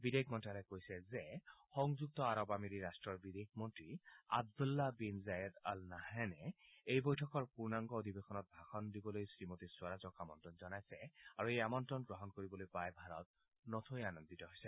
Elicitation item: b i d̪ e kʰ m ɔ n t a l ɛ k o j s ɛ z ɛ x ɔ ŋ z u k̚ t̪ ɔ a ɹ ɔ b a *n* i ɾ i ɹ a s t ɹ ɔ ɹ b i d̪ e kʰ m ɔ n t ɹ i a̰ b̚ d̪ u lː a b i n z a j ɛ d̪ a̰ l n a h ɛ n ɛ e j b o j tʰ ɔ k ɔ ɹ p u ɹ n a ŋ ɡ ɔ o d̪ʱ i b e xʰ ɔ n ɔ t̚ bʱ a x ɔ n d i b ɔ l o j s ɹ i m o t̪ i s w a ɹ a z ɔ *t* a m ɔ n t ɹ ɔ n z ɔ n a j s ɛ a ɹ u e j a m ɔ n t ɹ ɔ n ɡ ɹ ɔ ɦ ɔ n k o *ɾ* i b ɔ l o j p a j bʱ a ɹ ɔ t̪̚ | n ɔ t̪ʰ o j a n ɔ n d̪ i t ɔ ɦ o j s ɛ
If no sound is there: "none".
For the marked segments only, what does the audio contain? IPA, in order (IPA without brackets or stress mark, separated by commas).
m, k, ɹ